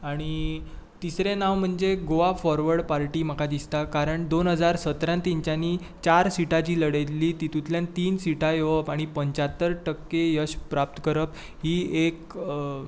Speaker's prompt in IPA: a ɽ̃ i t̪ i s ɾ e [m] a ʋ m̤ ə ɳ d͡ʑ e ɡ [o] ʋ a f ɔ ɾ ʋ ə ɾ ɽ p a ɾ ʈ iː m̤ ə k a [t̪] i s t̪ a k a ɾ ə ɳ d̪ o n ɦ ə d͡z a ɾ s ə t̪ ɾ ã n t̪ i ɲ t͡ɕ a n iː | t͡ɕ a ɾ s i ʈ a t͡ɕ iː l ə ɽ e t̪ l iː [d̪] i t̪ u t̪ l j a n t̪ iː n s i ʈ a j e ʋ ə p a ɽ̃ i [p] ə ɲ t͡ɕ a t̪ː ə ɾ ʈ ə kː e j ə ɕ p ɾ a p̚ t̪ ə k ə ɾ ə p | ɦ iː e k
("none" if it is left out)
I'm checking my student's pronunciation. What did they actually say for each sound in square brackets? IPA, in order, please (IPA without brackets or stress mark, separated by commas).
n, o, d̪, t̪, p